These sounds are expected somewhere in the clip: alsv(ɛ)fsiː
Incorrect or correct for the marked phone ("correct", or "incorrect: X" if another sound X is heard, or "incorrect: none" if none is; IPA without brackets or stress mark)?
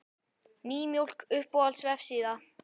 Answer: correct